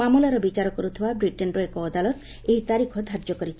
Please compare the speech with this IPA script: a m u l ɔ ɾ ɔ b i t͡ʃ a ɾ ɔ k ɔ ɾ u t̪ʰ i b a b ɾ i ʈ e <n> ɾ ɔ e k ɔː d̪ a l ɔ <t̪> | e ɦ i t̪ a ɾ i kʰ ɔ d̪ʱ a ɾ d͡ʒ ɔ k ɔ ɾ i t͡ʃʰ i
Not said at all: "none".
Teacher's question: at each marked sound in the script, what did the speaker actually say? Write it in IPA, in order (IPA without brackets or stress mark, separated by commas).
n, t̪